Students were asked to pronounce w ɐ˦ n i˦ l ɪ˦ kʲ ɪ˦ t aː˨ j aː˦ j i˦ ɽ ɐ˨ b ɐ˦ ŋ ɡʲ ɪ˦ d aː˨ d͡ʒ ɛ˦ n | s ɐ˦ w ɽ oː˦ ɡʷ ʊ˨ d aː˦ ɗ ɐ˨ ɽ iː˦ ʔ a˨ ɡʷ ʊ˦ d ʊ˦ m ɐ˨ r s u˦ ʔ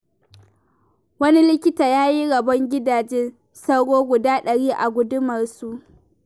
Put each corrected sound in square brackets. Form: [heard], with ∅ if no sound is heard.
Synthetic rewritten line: w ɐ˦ n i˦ l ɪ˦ kʲ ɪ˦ t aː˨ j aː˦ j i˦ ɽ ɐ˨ b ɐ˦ ŋ ɡʲ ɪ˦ d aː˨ d͡ʒ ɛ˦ n | s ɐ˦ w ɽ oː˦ ɡʷ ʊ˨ d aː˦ ɗ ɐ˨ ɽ iː˦ ʔ a˨ ɡʷ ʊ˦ d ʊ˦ m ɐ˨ r s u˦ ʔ